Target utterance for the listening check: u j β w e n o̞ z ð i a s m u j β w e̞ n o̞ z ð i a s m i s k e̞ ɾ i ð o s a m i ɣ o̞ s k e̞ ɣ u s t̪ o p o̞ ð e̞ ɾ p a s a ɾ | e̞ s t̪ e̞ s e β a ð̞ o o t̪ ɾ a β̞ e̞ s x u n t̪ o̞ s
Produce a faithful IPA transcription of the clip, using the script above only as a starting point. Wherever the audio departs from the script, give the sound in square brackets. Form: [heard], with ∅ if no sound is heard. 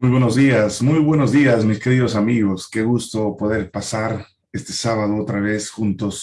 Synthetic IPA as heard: u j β w e n o̞ z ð i a s m u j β w e̞ n o̞ z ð i a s m i s k e̞ ɾ i ð o s a m i ɣ o̞ s k e̞ ɣ u s t̪ o p o̞ ð e̞ ɾ p a s a ɾ | e̞ s t̪ e̞ s [a] β a ð̞ o o t̪ ɾ a β̞ e̞ s x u n t̪ o̞ s